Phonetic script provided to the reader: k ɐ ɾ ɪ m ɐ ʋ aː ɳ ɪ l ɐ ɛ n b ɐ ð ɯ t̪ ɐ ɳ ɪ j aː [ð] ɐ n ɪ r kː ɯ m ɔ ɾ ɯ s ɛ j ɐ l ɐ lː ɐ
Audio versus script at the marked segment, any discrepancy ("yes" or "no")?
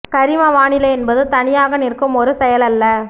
yes